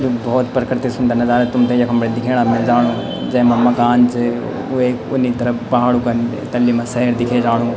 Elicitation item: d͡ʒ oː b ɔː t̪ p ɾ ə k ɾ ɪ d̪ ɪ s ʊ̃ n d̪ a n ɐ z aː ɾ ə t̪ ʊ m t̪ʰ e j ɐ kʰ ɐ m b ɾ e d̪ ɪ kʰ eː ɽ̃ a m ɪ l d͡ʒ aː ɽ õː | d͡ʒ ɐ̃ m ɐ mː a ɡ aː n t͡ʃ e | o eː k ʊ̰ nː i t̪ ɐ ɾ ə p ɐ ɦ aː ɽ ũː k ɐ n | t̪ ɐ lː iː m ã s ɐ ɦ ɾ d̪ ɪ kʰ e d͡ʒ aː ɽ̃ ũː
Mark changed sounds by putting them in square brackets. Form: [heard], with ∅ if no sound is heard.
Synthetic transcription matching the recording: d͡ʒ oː b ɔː t̪ p ɾ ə k ɾ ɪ [t̪] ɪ s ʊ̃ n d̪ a n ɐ z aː ɾ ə t̪ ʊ m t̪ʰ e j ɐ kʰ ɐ m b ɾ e d̪ ɪ kʰ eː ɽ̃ a m ɪ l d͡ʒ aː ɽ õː | d͡ʒ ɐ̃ m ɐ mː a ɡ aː n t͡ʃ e | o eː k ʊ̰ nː i t̪ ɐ ɾ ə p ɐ ɦ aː ɽ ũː k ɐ n | t̪ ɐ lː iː m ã s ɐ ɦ ɾ d̪ ɪ kʰ e d͡ʒ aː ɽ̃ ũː